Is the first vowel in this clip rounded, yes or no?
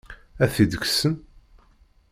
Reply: no